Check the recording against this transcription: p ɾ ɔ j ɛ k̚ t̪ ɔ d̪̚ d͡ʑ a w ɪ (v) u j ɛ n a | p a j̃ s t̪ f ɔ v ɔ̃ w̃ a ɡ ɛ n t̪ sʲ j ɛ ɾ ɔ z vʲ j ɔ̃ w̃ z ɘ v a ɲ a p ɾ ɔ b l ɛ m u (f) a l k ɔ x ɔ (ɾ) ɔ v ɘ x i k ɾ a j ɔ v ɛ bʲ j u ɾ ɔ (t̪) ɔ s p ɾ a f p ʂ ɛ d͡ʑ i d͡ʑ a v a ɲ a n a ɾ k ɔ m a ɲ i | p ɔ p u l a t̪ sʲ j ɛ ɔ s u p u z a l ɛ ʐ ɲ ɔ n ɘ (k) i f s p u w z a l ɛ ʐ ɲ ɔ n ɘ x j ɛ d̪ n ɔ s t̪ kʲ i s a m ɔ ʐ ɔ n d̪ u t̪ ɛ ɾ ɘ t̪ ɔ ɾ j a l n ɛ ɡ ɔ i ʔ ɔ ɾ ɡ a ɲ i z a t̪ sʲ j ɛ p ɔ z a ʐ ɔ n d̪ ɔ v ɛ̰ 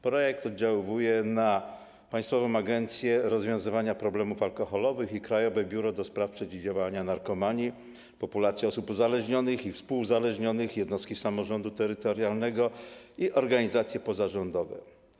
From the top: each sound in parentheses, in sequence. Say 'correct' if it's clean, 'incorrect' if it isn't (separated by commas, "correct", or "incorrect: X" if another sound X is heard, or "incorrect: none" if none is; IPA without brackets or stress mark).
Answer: correct, correct, incorrect: l, incorrect: d̪, incorrect: x